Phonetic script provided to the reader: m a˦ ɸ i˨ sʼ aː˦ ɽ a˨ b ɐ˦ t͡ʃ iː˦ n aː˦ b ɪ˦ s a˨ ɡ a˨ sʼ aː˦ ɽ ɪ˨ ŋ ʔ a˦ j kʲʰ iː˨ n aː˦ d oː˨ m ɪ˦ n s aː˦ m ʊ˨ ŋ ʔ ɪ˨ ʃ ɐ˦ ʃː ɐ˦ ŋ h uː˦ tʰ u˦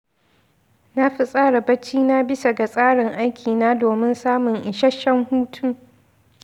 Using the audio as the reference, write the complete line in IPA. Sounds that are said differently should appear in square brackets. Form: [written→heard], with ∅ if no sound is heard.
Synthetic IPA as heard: [m→n] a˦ ɸ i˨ sʼ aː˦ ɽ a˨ b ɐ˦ t͡ʃ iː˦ n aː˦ b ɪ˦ s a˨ ɡ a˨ sʼ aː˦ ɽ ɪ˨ ŋ ʔ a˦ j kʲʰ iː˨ n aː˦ d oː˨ m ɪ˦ n s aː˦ m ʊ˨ ŋ ʔ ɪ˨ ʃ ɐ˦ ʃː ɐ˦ ŋ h uː˦ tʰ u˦